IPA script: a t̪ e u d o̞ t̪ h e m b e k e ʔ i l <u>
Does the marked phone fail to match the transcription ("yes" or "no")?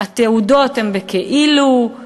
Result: no